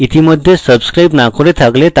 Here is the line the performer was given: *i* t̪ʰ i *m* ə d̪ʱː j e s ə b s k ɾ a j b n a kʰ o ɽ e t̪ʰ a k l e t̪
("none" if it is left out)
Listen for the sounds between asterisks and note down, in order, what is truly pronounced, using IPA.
i, m

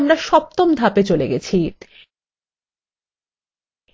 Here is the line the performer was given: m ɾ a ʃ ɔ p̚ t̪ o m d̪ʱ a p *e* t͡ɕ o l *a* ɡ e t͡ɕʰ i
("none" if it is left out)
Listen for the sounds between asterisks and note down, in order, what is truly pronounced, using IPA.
e, e

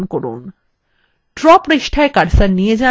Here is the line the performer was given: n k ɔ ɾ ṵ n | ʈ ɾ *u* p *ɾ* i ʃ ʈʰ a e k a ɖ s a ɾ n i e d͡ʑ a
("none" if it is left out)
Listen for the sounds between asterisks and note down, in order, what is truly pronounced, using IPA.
ɔ, ɾ

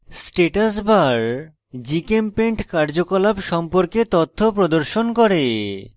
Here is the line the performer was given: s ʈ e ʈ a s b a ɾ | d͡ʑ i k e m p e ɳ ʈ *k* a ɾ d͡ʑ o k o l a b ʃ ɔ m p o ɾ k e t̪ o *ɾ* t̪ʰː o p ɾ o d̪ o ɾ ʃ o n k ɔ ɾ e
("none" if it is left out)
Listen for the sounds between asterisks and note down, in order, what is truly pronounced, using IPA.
k, none

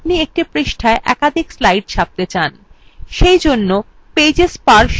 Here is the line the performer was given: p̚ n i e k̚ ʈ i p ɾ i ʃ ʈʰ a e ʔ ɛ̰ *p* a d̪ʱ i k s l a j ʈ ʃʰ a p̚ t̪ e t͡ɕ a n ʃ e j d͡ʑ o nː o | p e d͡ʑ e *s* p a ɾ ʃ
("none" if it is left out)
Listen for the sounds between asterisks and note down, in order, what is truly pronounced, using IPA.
k, s

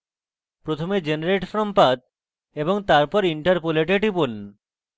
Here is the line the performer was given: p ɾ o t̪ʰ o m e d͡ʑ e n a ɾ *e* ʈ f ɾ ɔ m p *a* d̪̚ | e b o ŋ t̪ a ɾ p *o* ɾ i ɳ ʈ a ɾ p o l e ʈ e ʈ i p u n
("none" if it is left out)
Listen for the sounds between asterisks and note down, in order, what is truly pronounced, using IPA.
e, a, ɔ

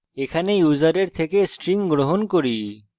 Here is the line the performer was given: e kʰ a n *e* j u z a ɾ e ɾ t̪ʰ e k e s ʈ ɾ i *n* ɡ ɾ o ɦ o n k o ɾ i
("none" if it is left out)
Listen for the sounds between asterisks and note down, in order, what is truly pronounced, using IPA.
e, ŋ

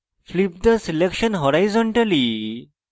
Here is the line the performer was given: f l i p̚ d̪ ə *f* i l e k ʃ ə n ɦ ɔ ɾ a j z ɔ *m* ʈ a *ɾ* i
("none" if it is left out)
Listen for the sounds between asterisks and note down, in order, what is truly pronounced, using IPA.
s, ɳ, l

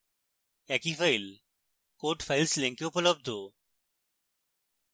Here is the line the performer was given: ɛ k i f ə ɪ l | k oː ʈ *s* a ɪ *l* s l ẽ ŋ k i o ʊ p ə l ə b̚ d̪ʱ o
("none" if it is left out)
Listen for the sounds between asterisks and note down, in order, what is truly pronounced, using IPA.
f, l

